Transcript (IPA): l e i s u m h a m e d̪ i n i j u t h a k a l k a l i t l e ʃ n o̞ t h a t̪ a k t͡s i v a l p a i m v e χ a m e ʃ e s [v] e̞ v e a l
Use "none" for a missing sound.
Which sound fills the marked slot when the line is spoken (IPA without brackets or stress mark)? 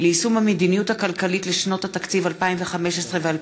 ʁ